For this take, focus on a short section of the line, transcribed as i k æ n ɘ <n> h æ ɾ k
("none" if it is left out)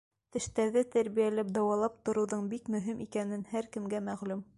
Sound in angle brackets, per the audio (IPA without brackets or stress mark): n